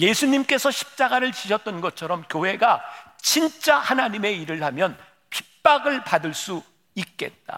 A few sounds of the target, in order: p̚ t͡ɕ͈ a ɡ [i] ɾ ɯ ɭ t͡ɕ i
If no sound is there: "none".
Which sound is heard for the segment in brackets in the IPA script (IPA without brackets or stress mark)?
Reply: a